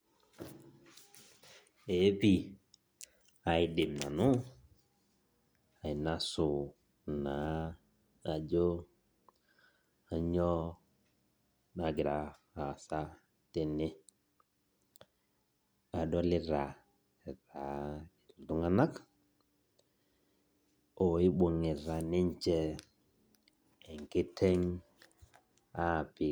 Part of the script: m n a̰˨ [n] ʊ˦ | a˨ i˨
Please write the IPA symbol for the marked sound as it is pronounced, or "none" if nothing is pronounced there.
n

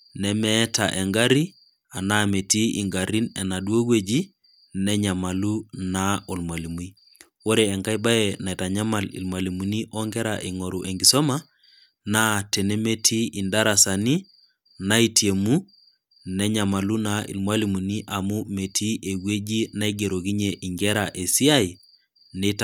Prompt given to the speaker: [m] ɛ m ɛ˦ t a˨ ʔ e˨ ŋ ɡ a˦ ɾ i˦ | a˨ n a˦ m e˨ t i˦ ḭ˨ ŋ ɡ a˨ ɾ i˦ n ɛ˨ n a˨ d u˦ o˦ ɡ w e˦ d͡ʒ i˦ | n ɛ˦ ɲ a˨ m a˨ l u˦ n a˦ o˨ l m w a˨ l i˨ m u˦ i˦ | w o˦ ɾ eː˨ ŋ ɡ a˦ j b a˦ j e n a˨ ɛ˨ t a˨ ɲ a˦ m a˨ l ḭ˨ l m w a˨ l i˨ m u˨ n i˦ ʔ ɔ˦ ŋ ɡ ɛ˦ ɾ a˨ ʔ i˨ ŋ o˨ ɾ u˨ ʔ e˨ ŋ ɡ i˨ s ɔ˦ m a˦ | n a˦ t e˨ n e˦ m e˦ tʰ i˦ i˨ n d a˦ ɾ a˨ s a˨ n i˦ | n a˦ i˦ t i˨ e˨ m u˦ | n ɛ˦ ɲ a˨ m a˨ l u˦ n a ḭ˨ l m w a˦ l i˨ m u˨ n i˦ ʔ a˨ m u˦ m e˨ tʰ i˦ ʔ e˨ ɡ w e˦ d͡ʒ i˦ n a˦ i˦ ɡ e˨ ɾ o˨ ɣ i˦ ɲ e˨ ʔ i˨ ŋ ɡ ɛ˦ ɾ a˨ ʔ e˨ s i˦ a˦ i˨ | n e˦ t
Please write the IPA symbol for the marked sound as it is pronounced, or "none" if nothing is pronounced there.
n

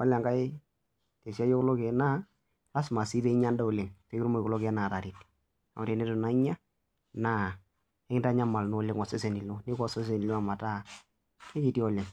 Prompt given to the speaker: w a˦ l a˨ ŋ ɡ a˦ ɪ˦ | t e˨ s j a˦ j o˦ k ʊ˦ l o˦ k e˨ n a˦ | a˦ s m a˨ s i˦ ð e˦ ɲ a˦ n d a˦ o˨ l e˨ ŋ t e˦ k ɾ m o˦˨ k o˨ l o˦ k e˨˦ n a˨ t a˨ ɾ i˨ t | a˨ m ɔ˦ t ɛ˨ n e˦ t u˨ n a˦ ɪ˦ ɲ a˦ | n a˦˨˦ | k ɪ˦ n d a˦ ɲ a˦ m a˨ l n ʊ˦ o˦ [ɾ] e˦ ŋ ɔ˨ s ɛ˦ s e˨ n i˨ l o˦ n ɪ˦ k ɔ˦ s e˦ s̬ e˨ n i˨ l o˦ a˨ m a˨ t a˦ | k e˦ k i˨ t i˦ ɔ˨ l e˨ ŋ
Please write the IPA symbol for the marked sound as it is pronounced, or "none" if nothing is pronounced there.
l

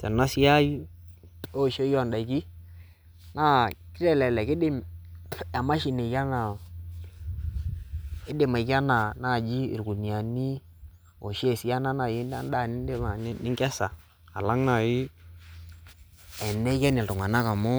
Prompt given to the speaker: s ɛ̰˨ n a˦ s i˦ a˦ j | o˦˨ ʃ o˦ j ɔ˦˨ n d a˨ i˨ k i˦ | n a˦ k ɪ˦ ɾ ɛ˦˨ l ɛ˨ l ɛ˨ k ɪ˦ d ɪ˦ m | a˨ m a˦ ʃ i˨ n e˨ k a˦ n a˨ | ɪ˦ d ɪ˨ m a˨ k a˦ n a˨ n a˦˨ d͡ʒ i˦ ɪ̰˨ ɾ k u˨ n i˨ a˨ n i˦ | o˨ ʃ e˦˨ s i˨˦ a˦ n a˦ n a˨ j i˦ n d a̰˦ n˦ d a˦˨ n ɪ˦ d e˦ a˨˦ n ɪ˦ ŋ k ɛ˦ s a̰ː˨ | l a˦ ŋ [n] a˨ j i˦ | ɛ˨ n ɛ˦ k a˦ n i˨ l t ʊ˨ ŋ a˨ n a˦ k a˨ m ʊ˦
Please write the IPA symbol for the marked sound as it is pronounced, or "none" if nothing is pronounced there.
n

